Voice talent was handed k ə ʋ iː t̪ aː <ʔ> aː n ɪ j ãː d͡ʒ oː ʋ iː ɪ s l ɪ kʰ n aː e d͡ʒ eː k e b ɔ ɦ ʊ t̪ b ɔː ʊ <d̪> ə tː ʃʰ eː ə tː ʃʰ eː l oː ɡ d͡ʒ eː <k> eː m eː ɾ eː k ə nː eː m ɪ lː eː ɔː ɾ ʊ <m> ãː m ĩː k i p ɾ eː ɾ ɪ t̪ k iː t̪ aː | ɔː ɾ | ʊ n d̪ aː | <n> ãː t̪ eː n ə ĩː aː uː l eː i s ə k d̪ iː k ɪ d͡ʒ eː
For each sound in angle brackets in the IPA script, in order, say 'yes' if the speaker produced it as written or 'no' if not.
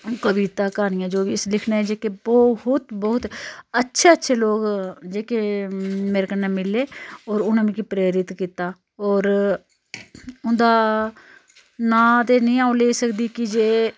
no, no, yes, no, yes

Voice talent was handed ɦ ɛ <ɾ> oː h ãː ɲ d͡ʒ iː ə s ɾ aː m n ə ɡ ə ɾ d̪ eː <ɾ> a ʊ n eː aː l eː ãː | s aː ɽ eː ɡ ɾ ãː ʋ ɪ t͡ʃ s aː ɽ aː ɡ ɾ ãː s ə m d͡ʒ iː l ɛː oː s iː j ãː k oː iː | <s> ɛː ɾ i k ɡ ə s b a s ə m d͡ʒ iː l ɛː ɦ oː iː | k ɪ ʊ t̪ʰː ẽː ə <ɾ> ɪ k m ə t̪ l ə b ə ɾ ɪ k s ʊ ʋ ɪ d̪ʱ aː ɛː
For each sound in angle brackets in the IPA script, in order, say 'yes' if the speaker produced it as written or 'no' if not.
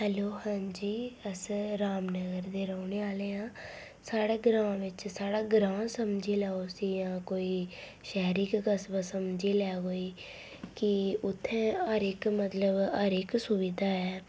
no, yes, no, yes

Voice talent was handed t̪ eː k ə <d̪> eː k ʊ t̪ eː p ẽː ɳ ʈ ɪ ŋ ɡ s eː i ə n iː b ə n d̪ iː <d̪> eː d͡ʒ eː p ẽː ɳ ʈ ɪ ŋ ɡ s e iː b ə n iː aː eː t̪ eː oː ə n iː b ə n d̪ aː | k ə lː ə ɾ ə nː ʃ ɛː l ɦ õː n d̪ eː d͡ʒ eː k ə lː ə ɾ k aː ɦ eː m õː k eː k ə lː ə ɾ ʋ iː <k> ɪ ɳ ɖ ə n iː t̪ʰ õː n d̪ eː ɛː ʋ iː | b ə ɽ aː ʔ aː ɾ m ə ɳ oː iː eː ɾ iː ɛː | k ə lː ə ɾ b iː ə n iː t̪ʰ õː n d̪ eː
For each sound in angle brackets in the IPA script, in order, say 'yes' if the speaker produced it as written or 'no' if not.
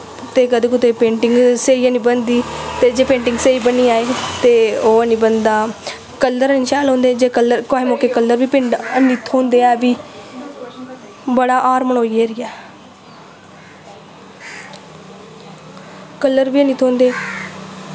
yes, no, no

